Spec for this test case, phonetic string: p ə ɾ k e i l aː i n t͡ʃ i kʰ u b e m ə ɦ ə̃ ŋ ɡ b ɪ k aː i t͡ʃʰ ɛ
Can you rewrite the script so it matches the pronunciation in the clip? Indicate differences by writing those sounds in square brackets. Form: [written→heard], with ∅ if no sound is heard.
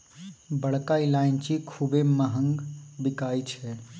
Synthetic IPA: [p→b] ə [ɾ→ɽ] k [e→a] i l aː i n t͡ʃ i kʰ u b e m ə ɦ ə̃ ŋ ɡ b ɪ k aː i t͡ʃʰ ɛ